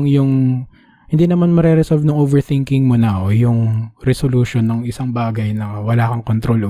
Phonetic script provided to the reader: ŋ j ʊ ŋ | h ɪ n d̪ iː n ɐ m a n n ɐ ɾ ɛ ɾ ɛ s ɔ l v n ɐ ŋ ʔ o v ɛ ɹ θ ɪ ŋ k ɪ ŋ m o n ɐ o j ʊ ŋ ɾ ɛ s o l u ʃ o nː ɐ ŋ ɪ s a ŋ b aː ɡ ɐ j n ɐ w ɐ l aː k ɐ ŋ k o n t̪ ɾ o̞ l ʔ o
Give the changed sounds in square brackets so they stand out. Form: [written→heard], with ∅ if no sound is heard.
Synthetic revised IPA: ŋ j ʊ ŋ | h ɪ n d̪ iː n ɐ m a n [n→m] ɐ ɾ ɛ ɾ ɛ s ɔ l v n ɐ ŋ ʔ o v ɛ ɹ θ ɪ ŋ k ɪ ŋ m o n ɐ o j ʊ ŋ ɾ ɛ s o l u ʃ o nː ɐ ŋ ɪ s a ŋ b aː ɡ ɐ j n ɐ w ɐ l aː k ɐ ŋ k o n t̪ ɾ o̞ l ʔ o